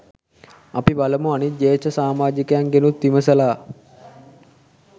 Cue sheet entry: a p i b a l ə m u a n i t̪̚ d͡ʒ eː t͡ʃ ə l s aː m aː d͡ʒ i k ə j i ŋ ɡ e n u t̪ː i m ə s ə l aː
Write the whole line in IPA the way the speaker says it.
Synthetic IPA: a p i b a l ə m u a n i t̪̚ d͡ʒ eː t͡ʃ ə s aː m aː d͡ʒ i k ə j a ŋ ɡ e n u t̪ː i m ə s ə l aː